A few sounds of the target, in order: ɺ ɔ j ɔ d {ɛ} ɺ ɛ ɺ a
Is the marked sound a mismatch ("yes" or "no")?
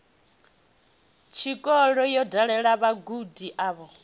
yes